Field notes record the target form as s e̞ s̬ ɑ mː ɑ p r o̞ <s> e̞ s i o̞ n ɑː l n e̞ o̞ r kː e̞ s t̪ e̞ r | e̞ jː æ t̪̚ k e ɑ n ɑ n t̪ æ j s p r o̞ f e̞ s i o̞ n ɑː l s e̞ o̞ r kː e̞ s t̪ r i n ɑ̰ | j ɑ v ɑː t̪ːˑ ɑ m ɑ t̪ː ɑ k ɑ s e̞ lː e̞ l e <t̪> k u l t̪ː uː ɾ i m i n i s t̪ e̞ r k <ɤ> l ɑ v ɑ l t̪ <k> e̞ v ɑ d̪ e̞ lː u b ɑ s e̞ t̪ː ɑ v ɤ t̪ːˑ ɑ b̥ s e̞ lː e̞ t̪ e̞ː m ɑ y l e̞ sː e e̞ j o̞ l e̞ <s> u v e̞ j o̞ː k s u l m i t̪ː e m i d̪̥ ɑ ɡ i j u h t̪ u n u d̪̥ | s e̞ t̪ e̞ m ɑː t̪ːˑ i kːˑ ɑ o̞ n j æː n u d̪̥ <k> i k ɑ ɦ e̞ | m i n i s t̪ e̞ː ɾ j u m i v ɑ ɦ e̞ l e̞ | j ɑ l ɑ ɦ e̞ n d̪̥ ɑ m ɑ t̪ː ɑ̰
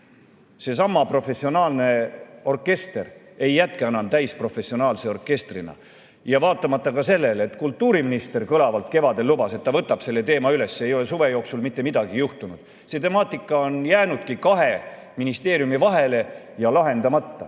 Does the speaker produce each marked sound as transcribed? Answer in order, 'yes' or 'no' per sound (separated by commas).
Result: no, yes, yes, yes, yes, yes